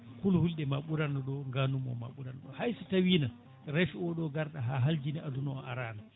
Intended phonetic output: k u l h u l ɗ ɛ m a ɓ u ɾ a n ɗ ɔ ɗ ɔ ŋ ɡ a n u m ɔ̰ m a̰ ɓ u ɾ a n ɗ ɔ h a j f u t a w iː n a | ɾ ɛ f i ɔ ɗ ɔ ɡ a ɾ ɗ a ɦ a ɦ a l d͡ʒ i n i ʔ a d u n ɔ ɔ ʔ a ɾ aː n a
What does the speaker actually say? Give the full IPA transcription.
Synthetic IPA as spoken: k u l h u l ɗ ɛ m a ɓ u ɾ a n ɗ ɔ ɗ ɔ ŋ ɡ a n u m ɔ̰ m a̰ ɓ u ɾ a n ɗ ɔ h a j s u t a w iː n a | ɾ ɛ f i ɔ ɗ ɔ ɡ a ɾ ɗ a ɦ a ɦ a l d͡ʒ i n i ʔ a d u n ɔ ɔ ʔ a ɾ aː n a